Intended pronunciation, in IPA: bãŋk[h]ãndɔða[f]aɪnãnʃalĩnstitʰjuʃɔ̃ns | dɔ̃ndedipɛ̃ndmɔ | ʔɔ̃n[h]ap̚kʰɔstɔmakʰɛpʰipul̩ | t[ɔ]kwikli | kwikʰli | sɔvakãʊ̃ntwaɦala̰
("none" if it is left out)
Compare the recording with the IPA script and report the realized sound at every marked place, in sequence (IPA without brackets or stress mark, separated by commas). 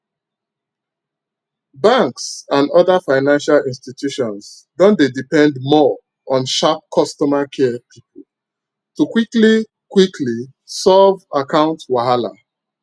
s, f, ʃ, u